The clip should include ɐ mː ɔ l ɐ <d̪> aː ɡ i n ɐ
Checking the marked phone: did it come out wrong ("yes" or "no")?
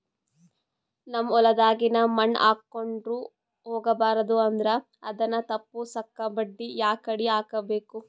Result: no